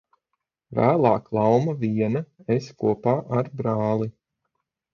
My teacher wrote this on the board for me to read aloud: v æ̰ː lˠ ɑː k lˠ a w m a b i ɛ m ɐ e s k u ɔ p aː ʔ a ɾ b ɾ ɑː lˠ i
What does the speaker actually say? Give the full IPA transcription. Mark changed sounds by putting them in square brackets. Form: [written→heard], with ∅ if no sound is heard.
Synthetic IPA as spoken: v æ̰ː lˠ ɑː k lˠ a w m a [b→v] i ɛ [m→n] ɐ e s k u ɔ p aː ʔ a ɾ b ɾ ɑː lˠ i